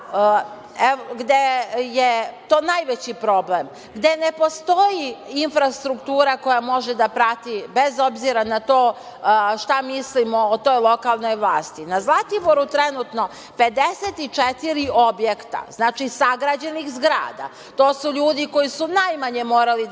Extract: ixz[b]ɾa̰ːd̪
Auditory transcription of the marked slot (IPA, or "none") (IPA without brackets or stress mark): ɡ